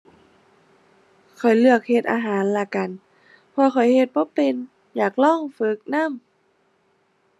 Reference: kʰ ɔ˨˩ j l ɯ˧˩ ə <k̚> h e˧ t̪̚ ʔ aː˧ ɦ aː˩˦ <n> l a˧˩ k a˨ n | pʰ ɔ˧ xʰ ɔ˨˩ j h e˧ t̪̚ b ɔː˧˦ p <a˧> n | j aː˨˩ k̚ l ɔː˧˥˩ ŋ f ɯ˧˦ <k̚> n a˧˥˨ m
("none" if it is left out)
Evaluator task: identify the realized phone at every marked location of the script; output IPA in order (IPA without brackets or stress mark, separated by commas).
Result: k̚, n, e˧, k̚